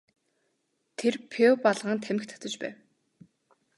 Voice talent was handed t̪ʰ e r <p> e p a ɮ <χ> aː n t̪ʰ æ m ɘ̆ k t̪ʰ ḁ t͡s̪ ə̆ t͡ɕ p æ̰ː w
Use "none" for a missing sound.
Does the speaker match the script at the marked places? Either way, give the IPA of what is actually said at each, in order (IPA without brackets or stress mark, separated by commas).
pʰ, ʁ